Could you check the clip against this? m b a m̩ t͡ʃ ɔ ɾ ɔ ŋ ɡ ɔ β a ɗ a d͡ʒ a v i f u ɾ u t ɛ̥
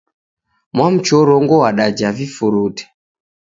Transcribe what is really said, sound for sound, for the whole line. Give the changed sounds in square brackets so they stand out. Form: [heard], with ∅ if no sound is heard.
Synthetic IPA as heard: m [w] a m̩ t͡ʃ ɔ ɾ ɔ ŋ ɡ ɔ [w] a ɗ a d͡ʒ a v i f u ɾ u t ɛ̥